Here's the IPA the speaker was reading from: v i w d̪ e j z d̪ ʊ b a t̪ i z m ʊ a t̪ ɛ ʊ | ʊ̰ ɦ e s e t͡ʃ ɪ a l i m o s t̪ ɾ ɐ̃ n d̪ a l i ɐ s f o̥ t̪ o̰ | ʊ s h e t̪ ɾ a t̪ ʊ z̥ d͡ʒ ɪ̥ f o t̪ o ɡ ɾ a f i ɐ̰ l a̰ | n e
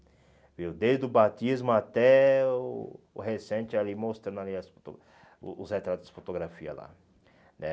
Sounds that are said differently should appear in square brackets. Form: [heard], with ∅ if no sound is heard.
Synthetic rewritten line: v i w d̪ e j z d̪ ʊ b a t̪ i z m ʊ a t̪ ɛ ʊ | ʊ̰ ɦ e s [ẽ] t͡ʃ ɪ a l i m o s t̪ ɾ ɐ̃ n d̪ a l i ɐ s f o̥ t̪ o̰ | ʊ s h e t̪ ɾ a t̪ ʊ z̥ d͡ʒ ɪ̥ f o t̪ o ɡ ɾ a f i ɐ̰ l a̰ | n [ɛ]

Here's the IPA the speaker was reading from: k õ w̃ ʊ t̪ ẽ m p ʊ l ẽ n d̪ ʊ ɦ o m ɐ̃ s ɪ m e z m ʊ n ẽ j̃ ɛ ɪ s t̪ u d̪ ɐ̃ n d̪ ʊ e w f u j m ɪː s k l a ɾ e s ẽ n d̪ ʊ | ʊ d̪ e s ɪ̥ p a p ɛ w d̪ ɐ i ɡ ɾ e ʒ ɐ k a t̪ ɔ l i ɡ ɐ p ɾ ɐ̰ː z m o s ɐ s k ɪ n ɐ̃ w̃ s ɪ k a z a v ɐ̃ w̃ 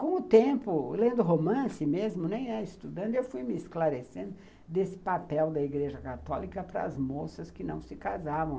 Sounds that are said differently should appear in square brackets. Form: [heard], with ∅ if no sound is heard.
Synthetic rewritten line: k õ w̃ ʊ t̪ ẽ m p ʊ l ẽ n d̪ ʊ ɦ o m ɐ̃ s ɪ m e z m ʊ n ẽ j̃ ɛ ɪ s t̪ u d̪ ɐ̃ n d̪ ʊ e w f u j m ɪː s k l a ɾ e s ẽ n d̪ ʊ | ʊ d̪ e s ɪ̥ p a p ɛ w d̪ ɐ i ɡ ɾ e ʒ ɐ k a t̪ ɔ l i [k] ɐ p ɾ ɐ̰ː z m o s ɐ s k ɪ n ɐ̃ w̃ s ɪ k a z a v ɐ̃ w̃

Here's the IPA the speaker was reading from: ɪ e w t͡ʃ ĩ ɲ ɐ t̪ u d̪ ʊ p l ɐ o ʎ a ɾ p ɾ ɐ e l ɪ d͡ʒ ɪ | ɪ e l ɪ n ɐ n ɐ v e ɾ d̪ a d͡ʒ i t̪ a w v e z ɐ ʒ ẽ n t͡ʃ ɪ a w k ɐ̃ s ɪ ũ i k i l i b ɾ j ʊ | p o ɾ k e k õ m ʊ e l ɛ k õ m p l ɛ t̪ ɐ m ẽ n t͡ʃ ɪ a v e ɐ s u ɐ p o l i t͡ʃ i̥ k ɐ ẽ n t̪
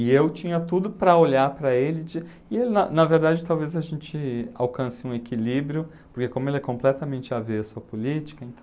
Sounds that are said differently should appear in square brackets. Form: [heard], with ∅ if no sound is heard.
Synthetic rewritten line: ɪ e w t͡ʃ ĩ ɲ ɐ t̪ u d̪ ʊ p [ɾ] ɐ o ʎ a ɾ p ɾ ɐ e l ɪ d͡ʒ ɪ | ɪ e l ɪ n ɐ n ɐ v e ɾ d̪ a d͡ʒ [ɪ] t̪ a w v e z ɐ ʒ ẽ n t͡ʃ ɪ a w k ɐ̃ s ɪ ũ [e] k i l i b ɾ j ʊ | p o ɾ k e k õ m ʊ e l ɛ k õ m p l ɛ t̪ ɐ m ẽ n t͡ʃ ɪ a v e ɐ s u ɐ p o l i t͡ʃ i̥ k ɐ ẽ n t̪

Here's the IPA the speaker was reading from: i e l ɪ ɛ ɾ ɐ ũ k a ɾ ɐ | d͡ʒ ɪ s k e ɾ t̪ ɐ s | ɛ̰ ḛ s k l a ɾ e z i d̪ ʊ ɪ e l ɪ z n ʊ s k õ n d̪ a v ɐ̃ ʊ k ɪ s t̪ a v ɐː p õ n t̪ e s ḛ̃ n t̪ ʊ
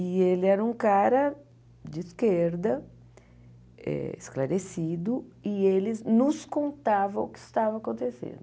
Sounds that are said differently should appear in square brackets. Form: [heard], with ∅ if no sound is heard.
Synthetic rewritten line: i e l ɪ ɛ ɾ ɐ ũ k a ɾ ɐ | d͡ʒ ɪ s k e ɾ [d̪] ɐ [∅] | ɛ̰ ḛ s k l a ɾ e [s] i d̪ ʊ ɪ e l ɪ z n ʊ s k õ n [t̪] a v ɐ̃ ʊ k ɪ s t̪ a v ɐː [k] õ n t̪ e s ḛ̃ n [d̪] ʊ

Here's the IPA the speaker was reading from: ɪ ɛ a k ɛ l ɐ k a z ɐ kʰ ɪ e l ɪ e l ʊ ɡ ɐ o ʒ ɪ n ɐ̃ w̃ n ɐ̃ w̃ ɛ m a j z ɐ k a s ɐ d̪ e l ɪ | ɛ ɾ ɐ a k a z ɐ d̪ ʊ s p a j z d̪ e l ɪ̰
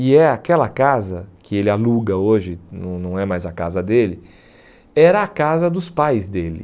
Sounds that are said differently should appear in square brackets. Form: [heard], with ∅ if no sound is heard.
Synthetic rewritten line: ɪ ɛ a k ɛ l ɐ k a z ɐ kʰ ɪ e l ɪ [a] l [u] ɡ ɐ o ʒ ɪ n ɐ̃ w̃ n ɐ̃ w̃ ɛ m a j z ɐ k a [z] ɐ d̪ e l ɪ | ɛ ɾ ɐ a k a z ɐ d̪ ʊ s p a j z d̪ e l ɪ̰

